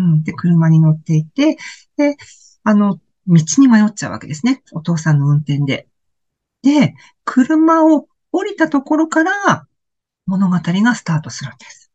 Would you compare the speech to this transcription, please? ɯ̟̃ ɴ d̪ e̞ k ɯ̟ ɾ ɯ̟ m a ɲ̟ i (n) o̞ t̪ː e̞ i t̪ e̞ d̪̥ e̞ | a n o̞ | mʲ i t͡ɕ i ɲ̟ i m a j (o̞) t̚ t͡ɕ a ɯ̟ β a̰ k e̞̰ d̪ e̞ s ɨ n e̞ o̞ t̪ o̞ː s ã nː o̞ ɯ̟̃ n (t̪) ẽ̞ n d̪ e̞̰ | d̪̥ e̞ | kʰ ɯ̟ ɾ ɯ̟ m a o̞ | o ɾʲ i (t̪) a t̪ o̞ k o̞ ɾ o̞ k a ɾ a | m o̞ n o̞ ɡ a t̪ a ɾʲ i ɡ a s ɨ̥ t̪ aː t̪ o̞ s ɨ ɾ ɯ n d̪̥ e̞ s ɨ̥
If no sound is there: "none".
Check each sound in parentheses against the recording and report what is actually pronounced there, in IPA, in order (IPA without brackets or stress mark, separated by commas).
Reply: n, o̞, t̪, t̪